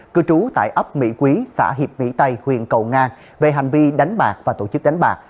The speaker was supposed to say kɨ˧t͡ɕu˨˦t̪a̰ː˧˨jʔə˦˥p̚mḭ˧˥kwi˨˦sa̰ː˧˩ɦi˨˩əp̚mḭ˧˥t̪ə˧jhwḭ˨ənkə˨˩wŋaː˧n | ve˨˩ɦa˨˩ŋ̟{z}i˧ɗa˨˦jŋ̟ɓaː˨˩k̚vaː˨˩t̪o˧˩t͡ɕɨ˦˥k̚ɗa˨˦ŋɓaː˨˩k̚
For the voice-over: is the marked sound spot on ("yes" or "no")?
no